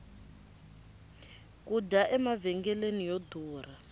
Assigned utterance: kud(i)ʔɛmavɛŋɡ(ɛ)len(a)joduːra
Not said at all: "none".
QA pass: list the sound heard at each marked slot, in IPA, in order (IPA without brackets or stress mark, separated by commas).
a, ɛ, i